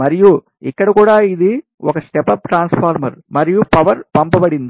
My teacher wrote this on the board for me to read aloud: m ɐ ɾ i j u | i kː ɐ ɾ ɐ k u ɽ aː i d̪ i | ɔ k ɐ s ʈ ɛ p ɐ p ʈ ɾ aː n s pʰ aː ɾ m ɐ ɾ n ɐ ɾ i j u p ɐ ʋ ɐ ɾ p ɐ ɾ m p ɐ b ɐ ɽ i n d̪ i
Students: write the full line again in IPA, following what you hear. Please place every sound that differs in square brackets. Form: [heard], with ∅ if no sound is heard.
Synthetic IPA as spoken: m ɐ ɾ i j u | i kː ɐ [ɽ] ɐ k [uː] ɽ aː i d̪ i | ɔ k ɐ s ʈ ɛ p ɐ p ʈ ɾ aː n s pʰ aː ɾ m ɐ ɾ [m] ɐ ɾ i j u p ɐ ʋ ɐ ɾ p ɐ [∅] m p ɐ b ɐ ɽ i n d̪ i